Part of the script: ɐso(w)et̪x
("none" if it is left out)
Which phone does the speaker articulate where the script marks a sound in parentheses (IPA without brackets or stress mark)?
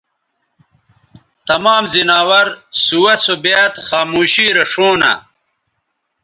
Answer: b